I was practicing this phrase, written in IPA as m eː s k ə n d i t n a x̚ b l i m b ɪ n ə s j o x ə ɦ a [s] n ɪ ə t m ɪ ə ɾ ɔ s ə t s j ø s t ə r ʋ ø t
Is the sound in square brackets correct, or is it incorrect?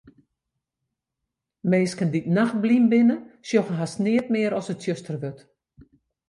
correct